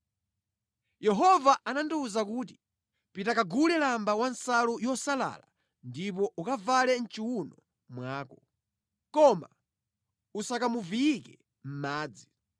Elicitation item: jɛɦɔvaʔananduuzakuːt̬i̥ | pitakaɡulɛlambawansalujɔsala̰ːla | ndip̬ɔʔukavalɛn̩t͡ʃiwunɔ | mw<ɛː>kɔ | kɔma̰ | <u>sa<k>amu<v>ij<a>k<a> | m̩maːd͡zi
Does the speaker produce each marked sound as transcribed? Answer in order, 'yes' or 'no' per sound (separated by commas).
no, yes, yes, yes, no, no